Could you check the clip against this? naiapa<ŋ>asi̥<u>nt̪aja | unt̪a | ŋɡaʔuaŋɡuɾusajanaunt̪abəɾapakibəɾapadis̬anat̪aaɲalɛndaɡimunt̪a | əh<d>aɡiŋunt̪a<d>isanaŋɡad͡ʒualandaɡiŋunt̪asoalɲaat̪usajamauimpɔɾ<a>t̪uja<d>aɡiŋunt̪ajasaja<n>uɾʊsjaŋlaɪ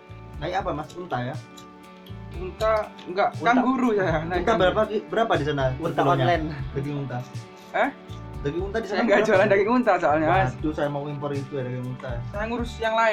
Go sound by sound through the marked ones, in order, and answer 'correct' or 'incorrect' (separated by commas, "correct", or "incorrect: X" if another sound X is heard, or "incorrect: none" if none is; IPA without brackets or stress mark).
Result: incorrect: m, correct, correct, correct, incorrect: i, correct, incorrect: ŋ